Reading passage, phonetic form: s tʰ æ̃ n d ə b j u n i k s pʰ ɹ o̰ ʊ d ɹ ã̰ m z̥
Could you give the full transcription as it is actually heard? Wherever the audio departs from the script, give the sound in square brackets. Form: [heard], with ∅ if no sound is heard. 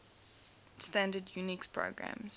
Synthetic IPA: s [t] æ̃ n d ə [d] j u n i k s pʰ ɹ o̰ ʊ [ɡ] ɹ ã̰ m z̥